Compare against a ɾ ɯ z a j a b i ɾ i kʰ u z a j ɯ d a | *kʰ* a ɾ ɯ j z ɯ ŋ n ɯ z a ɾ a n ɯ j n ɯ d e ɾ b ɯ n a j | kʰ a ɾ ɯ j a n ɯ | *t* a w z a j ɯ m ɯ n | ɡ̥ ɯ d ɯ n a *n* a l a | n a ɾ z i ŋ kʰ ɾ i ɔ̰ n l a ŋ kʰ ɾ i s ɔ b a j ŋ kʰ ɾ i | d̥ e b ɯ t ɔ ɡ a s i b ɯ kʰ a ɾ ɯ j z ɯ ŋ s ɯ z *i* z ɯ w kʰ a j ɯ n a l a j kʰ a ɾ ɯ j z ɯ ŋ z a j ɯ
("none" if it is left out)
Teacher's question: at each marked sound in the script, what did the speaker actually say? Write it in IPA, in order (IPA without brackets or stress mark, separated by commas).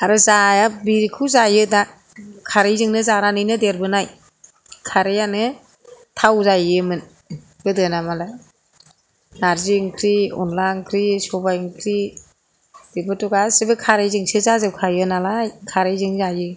kʰ, tʰ, m, a